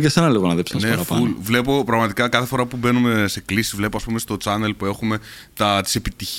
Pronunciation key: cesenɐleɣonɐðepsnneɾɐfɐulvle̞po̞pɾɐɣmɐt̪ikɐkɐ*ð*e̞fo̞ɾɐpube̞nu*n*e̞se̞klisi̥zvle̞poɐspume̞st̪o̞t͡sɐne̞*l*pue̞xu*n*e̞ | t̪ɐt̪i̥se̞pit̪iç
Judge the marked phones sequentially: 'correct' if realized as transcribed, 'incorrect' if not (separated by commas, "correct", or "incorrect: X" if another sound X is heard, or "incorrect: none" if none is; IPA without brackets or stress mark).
incorrect: θ, incorrect: m, correct, incorrect: m